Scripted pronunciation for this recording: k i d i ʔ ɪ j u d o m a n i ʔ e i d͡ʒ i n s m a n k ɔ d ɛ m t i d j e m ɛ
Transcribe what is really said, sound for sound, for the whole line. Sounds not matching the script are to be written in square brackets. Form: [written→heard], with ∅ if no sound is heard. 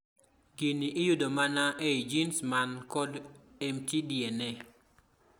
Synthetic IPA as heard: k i [d→n] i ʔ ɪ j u d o m a n [i→a] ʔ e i d͡ʒ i n s m a n k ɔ d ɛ m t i d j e [m→n] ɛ